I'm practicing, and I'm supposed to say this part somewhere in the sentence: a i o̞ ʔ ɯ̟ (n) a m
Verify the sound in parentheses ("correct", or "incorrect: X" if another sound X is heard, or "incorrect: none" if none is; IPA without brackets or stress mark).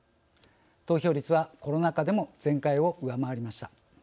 incorrect: none